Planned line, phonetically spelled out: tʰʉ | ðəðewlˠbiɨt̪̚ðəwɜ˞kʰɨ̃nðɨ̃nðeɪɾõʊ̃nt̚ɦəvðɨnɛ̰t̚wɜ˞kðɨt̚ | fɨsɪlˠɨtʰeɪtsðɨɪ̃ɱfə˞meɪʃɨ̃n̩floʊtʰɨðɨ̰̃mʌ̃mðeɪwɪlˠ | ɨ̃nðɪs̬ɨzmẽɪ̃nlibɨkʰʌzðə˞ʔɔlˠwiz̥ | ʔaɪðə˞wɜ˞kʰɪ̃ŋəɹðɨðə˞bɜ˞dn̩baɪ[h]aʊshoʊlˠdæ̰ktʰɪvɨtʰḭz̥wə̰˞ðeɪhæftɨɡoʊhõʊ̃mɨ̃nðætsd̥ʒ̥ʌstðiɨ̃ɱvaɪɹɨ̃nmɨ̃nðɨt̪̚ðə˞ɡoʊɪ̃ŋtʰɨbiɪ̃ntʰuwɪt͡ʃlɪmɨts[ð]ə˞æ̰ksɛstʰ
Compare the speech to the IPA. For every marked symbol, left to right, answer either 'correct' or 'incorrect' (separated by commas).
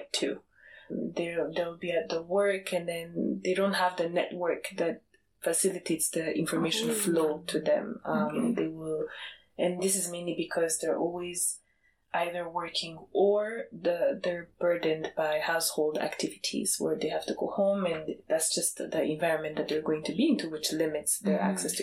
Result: correct, correct